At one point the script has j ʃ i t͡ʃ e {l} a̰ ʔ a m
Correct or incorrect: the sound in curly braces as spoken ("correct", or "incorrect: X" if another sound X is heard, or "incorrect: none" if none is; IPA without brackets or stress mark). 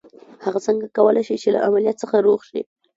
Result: correct